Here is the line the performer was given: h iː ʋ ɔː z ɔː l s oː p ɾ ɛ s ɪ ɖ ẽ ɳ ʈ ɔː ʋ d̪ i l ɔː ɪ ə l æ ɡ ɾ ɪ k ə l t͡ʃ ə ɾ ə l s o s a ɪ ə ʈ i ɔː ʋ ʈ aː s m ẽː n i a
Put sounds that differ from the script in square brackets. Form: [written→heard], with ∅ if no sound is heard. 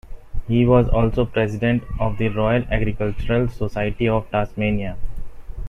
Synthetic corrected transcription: h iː ʋ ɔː z ɔː l s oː p ɾ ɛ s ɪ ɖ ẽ ɳ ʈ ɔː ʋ d̪ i [l→ɾ] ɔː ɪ ə l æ ɡ ɾ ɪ k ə l t͡ʃ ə ɾ ə l s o s a ɪ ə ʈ i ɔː ʋ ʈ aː s m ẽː n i a